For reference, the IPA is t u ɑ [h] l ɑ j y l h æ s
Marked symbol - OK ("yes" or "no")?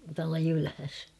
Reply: no